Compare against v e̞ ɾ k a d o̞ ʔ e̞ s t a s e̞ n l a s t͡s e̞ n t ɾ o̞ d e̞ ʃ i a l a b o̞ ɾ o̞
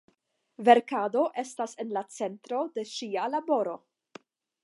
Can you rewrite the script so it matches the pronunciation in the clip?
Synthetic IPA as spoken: v e̞ ɾ k a d o̞ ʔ e̞ s t a s e̞ n l a t͡s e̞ n t ɾ o̞ d e̞ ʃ i a l a b o̞ ɾ o̞